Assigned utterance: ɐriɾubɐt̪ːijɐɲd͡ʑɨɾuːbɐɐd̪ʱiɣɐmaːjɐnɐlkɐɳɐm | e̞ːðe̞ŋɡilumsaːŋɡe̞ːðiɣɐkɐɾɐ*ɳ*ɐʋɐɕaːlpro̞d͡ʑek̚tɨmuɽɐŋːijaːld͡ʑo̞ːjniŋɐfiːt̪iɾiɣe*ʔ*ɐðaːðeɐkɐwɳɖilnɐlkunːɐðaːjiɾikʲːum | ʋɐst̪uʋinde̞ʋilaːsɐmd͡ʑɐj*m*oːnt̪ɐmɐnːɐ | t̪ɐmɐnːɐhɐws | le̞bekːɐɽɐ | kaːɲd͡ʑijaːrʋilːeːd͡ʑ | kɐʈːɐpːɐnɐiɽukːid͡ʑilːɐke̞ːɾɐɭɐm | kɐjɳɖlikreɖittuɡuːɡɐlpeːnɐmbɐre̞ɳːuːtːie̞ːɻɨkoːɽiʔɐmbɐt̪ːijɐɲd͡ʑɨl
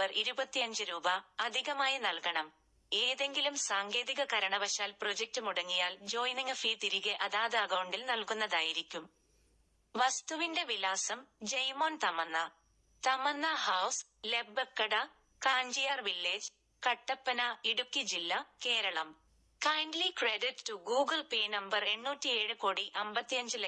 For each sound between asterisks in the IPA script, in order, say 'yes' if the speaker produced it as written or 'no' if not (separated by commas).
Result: yes, yes, yes